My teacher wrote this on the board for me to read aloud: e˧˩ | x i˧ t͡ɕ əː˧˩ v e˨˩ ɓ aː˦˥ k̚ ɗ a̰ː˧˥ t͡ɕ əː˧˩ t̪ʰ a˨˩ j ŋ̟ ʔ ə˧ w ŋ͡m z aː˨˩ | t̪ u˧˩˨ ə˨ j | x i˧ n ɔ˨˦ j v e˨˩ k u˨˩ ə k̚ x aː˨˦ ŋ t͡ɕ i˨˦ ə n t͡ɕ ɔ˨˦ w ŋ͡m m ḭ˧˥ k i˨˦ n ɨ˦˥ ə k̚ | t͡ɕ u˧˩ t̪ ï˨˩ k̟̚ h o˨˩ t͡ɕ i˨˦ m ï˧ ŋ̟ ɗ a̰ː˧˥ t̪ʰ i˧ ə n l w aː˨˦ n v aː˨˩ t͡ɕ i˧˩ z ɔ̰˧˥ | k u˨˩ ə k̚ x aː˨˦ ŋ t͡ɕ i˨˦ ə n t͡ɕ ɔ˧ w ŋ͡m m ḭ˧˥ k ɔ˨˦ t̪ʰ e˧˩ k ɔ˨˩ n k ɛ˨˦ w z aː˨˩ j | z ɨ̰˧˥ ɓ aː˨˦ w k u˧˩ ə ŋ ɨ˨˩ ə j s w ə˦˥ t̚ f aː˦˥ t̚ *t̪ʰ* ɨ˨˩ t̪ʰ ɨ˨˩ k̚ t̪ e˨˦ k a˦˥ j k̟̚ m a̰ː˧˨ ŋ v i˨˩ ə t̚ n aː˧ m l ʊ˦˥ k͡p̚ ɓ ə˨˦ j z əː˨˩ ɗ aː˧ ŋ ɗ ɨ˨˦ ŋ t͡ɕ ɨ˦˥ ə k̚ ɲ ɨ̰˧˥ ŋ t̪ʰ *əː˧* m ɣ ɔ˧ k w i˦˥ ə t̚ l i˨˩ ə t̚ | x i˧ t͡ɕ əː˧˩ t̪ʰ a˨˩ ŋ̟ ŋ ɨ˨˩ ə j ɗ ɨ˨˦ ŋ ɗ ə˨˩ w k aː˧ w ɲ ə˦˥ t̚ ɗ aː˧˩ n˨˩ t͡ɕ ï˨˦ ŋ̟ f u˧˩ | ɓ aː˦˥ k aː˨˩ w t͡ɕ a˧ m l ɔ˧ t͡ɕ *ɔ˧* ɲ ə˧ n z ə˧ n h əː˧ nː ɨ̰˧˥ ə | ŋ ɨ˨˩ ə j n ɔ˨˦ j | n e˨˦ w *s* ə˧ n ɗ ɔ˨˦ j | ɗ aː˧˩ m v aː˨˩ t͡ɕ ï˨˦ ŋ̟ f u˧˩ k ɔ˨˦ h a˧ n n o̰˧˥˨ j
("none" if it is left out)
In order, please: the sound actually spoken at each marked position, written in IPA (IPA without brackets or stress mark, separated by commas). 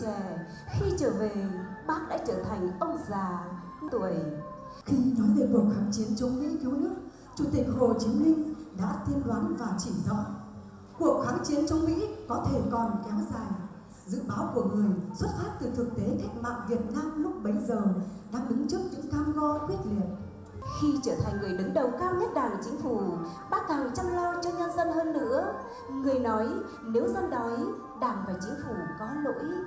t̪, aː˧, ɔ˧, z